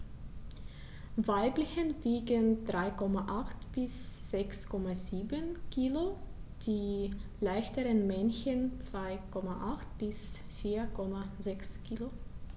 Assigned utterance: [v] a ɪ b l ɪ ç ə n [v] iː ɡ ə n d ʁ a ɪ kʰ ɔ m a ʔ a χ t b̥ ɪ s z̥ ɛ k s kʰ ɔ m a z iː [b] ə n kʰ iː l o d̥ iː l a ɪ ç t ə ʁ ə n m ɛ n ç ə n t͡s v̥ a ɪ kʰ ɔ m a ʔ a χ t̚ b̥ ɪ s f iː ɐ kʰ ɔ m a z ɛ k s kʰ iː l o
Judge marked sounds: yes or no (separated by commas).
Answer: yes, yes, yes